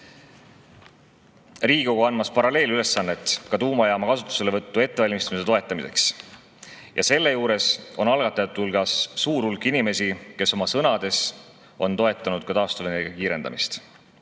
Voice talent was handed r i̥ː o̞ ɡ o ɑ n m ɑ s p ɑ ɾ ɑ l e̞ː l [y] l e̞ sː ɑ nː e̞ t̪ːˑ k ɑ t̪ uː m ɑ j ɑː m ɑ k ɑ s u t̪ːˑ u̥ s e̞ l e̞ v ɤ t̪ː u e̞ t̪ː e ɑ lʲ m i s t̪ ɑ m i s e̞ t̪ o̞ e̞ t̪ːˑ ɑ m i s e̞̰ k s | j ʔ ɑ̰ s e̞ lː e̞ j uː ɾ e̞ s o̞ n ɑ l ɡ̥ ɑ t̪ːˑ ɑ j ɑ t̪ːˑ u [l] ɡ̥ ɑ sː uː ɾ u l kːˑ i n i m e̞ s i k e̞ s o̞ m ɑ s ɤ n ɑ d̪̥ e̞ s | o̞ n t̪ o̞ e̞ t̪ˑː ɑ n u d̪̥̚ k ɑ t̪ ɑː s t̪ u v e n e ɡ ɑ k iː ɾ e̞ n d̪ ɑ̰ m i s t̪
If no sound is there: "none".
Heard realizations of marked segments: y, l

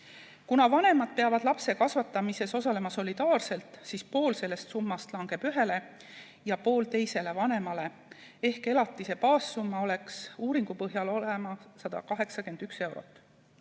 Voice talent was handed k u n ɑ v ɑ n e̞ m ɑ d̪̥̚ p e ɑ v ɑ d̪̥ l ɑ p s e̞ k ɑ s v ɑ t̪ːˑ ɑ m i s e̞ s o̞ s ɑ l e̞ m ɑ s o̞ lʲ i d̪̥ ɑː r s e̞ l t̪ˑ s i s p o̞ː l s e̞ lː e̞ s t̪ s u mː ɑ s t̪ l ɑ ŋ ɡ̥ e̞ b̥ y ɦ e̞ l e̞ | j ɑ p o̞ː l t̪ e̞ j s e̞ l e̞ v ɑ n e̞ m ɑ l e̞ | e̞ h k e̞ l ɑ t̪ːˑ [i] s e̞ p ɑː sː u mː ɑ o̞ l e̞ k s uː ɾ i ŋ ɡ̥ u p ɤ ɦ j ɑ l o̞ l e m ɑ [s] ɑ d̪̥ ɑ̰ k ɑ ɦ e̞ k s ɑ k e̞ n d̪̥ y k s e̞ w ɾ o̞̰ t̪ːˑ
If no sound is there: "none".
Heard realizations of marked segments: i, s

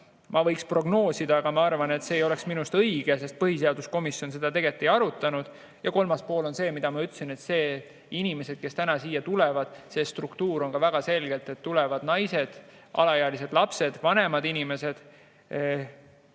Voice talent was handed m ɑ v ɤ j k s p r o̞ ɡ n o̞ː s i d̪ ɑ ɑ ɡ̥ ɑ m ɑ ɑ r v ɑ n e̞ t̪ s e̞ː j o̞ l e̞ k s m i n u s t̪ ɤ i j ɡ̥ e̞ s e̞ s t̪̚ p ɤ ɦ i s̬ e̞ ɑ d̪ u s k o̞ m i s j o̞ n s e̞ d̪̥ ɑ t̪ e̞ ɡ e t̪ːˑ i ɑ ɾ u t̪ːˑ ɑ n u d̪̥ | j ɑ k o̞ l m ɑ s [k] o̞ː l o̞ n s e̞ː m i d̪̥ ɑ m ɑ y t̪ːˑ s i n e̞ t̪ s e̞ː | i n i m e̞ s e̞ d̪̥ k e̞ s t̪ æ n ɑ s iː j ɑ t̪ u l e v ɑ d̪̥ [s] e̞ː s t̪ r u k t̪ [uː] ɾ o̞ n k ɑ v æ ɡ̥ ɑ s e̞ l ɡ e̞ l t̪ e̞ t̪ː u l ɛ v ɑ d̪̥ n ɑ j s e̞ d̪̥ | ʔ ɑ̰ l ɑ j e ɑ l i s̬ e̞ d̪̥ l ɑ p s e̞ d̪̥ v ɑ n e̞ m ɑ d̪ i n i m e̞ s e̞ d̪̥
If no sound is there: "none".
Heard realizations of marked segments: p, s, uː

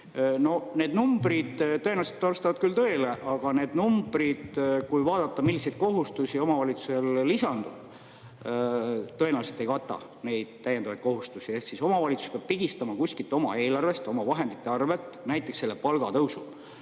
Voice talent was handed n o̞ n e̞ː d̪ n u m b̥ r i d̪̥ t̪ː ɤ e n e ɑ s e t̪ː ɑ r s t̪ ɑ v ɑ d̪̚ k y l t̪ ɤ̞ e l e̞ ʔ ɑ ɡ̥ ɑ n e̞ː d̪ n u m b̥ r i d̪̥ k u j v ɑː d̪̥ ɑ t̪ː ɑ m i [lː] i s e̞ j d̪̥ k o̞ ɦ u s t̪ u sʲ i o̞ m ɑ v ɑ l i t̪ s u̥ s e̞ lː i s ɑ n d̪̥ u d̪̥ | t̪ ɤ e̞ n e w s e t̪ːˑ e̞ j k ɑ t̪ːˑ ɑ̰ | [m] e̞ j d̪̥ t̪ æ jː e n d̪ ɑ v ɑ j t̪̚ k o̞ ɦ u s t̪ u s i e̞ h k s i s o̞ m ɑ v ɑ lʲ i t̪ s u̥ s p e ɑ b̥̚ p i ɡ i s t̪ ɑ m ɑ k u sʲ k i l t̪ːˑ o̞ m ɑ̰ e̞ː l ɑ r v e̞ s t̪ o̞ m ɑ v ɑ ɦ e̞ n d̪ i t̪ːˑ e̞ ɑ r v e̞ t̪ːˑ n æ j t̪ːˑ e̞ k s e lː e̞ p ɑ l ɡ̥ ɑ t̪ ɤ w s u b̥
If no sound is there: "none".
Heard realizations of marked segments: lː, n

